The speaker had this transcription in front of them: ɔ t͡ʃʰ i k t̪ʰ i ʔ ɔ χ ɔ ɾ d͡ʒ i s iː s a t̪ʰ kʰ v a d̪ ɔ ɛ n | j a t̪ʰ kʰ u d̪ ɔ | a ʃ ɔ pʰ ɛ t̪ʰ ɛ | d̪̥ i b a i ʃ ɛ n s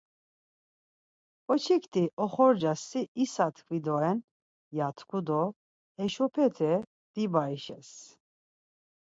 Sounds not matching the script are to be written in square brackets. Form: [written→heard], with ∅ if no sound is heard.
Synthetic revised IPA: ɔ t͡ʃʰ i k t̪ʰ i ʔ ɔ χ ɔ ɾ d͡ʒ [i→a] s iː s a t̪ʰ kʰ v [a→i] d̪ ɔ ɛ n | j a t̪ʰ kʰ u d̪ ɔ | [a→ɛ] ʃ ɔ pʰ ɛ t̪ʰ ɛ | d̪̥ i b a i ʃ ɛ [n→∅] s